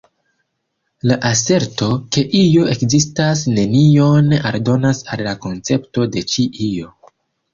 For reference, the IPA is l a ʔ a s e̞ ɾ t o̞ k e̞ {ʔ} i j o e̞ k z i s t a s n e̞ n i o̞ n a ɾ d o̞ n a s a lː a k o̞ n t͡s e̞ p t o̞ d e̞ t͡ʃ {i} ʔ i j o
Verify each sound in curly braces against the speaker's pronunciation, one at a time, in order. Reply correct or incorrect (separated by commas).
correct, correct